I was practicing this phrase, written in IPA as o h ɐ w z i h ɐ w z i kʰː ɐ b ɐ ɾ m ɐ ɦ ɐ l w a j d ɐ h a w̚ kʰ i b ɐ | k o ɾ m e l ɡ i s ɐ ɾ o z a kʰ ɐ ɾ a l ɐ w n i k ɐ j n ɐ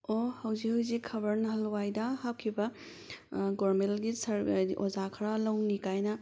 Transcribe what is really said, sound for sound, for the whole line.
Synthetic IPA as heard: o h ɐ w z i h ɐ w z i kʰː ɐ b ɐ ɾ n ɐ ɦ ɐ l w a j d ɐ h a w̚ kʰ i b ɐ | ɡ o ɾ m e l ɡ i s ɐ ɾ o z a kʰ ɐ ɾ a l ɐ w n i k a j n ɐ